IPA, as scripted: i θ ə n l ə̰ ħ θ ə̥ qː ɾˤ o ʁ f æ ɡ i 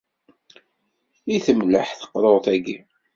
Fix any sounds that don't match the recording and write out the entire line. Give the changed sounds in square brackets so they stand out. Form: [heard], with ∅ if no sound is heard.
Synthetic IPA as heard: i θ ə [m] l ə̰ ħ θ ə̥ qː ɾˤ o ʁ [θ] æ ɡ i